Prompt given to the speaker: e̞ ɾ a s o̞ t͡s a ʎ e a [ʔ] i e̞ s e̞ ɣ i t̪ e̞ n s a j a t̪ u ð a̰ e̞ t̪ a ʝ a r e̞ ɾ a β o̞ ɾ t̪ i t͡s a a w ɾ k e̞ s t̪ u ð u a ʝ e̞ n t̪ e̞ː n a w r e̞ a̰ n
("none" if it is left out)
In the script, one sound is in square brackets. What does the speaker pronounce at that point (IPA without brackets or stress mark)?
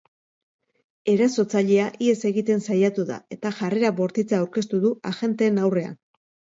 ʔ